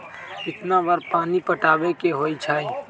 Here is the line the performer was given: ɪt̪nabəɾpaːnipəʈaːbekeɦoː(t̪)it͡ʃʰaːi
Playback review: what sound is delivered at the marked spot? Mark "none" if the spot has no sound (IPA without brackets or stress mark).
none